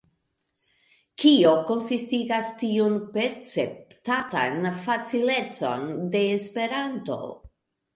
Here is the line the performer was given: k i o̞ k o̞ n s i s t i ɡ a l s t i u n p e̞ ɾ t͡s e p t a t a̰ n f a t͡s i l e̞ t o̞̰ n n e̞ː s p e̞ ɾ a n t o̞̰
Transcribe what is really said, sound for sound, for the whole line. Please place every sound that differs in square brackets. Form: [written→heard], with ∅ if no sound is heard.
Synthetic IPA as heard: k i o̞ k o̞ n s i s t i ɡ a [l→∅] s t i u n p e̞ ɾ t͡s e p t a t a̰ n f a t͡s i l e̞ [t→t͡s] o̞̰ n [n→d] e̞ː s p e̞ ɾ a n t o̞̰